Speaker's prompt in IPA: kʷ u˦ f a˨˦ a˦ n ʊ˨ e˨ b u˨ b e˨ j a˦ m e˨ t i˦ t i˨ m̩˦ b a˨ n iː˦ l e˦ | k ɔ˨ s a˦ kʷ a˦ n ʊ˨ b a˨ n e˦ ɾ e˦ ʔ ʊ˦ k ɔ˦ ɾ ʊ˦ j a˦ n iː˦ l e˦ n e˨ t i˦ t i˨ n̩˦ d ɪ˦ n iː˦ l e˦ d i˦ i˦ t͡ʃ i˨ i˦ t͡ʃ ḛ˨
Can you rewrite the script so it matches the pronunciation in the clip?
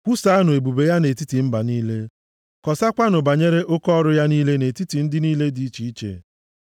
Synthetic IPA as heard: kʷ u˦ s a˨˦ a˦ n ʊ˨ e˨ b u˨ b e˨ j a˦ n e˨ t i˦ t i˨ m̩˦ b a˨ n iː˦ l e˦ | k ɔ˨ s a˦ kʷ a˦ n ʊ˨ b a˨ ɲ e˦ ɾ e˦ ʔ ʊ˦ k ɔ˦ ɾ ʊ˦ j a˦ n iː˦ l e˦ n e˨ t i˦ t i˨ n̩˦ d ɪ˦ n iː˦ l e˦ d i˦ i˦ t͡ʃ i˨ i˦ t͡ʃ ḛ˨

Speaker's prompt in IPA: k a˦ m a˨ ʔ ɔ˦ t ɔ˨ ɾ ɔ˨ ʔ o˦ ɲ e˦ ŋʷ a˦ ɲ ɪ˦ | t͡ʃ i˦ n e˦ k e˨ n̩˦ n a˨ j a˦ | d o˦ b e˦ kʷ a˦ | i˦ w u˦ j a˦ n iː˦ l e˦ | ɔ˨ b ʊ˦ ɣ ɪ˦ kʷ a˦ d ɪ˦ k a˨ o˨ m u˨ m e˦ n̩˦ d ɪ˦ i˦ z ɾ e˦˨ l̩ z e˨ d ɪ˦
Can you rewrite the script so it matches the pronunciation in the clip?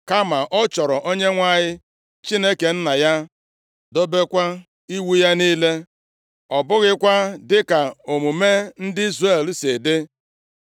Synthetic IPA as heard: k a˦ m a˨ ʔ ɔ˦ t͡ʃ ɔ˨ ɾ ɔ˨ ʔ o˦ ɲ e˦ ŋʷ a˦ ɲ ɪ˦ | t͡ʃ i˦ n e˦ k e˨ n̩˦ n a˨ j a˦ | d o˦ b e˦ kʷ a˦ | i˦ w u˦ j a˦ n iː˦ l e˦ | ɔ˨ b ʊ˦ ɣ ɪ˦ kʷ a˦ d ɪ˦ k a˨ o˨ m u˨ m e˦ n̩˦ d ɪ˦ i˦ z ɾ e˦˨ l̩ s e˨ d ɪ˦

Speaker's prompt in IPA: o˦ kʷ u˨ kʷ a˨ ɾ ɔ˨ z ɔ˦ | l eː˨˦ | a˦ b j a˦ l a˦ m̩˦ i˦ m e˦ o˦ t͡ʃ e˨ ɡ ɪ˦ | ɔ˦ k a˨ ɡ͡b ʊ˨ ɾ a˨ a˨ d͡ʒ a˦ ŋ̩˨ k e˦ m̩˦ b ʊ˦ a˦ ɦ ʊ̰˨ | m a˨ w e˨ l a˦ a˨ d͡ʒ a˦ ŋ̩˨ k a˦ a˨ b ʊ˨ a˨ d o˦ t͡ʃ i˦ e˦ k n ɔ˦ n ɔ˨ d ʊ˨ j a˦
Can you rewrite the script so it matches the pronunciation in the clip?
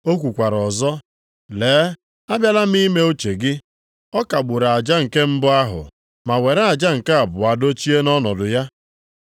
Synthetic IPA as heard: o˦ kʷ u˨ kʷ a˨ ɾ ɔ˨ z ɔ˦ | l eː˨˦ | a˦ b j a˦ l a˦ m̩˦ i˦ m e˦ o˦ t͡ʃ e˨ ɡ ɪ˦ | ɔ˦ k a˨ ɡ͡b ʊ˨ ɾ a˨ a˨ d͡ʒ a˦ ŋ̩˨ k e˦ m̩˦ b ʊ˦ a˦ ɦ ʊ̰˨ | m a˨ w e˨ ɾ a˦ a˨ d͡ʒ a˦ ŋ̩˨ k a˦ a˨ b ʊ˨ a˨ d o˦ t͡ʃ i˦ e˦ n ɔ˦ n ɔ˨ d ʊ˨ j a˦

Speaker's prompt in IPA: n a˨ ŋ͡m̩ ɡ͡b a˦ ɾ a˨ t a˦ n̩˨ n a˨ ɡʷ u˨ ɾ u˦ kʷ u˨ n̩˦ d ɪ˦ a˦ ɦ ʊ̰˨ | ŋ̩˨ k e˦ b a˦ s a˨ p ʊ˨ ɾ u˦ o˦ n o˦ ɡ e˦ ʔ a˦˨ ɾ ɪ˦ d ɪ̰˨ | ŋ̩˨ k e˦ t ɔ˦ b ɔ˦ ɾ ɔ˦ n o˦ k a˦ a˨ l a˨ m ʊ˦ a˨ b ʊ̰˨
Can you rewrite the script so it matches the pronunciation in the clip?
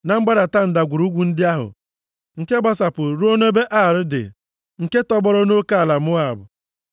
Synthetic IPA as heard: n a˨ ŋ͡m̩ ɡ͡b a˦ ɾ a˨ t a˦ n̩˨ d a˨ ɡʷ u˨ ɾ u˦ ɡʷ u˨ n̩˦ d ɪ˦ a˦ ɦ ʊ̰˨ | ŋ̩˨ k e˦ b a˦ s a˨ p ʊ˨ ɾ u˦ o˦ n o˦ b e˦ ʔ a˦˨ ɾ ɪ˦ d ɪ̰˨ | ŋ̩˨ k e˦ t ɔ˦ b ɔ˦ ɾ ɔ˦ n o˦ k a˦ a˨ l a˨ m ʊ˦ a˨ b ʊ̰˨

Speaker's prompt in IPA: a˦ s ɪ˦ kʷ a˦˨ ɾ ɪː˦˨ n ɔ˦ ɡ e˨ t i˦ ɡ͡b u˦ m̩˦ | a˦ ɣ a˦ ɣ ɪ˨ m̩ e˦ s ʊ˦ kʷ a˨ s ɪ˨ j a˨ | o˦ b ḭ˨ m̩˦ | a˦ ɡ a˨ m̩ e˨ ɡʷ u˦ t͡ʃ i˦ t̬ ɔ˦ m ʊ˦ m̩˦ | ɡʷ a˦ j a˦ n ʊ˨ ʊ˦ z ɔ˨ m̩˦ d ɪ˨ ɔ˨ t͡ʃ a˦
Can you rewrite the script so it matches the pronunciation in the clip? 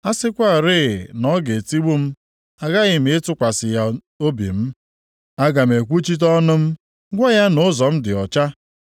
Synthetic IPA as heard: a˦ s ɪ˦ kʷ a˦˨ ɾ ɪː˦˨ n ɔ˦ ɡ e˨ t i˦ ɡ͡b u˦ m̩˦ | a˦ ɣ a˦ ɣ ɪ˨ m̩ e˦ t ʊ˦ kʷ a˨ s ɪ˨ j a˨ | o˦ b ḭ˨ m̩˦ | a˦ ɡ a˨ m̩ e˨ kʷ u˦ t͡ʃ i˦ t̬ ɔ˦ n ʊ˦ m̩˦ | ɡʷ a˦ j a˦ n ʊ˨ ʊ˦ z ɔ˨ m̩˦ d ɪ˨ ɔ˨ t͡ʃ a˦

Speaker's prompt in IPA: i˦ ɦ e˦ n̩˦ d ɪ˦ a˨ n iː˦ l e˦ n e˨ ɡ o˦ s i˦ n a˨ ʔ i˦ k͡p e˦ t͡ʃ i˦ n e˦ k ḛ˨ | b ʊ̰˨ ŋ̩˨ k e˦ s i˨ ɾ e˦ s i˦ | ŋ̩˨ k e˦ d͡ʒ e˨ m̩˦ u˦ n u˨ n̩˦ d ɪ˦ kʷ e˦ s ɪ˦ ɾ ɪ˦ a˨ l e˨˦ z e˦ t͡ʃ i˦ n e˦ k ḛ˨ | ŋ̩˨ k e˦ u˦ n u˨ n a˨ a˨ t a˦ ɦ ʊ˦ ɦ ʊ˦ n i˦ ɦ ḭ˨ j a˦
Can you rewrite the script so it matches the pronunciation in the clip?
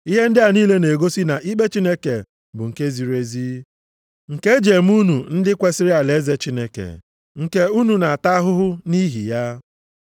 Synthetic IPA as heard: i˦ ɦ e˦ n̩˦ d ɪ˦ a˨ n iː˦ l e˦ n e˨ ɡ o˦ s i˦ n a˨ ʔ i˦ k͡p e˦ t͡ʃ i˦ n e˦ k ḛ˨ | b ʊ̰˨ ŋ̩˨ k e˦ z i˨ ɾ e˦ z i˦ | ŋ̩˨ k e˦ d͡ʒ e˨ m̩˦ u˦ n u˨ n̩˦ d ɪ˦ kʷ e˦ s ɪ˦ ɾ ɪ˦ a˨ l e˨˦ z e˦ t͡ʃ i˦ n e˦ k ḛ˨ | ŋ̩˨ k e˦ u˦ n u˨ n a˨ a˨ t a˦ ɦ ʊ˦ ɦ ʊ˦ n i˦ ɦ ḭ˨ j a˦

